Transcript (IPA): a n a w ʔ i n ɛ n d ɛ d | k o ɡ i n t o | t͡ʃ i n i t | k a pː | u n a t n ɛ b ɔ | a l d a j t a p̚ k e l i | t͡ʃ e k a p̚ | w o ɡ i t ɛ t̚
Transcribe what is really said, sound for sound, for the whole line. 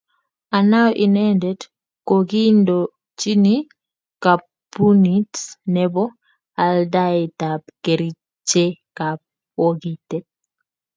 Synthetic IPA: a n a w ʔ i n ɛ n d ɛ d | k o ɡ i n d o | t͡ʃ i n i | k a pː | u n i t n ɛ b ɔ | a l d a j t a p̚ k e ɾ i | t͡ʃ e k a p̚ | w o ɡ i t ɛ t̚

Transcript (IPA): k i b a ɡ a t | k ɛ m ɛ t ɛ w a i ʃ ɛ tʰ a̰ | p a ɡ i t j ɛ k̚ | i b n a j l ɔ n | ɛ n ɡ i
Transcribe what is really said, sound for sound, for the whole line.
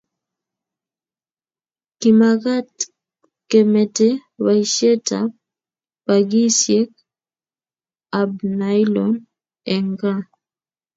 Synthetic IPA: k i m a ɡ a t | k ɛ m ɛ t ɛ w a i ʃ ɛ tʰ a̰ | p a ɡ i s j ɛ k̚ | a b n a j l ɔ n | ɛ ŋ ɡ a

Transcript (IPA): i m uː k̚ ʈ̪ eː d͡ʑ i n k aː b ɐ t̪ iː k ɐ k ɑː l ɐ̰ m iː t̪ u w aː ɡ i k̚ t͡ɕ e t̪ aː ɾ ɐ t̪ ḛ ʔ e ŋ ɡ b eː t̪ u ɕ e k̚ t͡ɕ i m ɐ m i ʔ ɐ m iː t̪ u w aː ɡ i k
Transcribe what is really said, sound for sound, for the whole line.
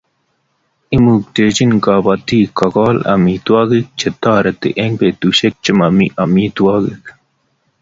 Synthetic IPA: i m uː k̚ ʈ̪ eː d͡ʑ i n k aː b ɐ t̪ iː k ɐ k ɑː l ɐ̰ m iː t̪ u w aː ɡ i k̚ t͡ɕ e t̪ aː ɾ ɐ t̪ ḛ ʔ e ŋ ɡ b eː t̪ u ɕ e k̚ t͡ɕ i m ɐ m i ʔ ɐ m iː t̪ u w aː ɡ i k

